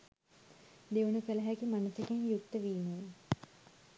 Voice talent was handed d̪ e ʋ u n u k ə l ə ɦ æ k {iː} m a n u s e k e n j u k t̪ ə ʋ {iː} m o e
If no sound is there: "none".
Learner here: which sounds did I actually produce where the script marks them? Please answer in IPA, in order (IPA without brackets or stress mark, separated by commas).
i, iː